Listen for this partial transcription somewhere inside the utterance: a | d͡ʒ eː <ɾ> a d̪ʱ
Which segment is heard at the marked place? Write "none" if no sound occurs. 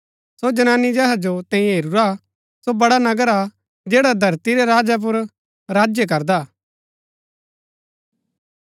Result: ɽ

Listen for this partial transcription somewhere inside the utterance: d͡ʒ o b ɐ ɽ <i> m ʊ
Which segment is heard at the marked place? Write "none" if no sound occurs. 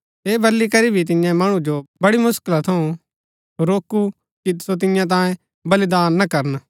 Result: i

